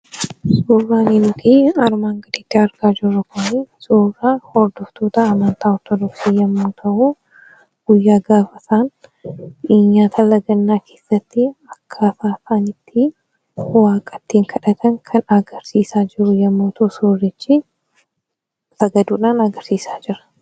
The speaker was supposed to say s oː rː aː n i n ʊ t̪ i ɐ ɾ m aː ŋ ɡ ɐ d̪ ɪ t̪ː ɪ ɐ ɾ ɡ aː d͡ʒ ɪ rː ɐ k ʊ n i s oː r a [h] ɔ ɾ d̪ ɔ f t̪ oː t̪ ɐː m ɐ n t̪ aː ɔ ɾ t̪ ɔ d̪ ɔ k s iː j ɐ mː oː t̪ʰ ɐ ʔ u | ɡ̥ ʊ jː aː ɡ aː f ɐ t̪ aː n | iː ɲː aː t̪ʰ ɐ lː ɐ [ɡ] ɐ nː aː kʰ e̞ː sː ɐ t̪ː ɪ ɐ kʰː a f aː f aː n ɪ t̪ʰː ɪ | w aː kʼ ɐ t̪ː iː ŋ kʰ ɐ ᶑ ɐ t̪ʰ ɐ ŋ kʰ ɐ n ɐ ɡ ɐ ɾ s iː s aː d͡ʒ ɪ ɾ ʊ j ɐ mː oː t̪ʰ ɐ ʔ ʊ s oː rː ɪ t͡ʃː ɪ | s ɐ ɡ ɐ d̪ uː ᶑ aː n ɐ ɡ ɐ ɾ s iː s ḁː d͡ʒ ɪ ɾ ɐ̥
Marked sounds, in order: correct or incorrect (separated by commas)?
correct, correct